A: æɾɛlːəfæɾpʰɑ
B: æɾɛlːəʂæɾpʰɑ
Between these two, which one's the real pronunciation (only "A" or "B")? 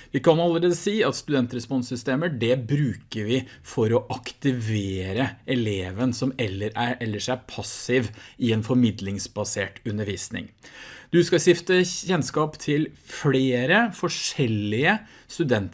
B